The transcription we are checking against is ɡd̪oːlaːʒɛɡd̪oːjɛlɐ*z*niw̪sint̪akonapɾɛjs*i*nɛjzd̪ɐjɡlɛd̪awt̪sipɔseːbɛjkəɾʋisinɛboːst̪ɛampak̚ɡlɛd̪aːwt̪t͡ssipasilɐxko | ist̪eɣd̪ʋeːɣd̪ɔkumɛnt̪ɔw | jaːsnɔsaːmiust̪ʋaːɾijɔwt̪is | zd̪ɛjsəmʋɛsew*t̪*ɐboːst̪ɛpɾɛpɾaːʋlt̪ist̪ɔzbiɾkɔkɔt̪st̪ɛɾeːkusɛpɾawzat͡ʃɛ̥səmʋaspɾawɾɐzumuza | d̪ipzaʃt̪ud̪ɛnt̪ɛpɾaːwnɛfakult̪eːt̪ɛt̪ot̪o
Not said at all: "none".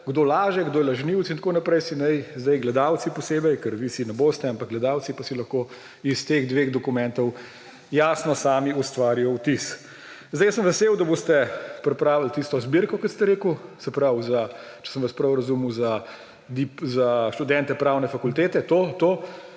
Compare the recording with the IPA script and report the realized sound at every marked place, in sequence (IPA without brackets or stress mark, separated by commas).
ʒ, i, d̪